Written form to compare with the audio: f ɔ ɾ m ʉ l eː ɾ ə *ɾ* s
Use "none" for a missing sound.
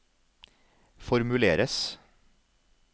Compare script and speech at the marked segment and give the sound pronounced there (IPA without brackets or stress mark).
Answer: none